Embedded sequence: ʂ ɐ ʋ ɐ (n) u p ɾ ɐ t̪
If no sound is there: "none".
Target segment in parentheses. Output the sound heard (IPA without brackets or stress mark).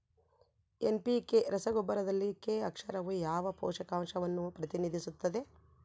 nː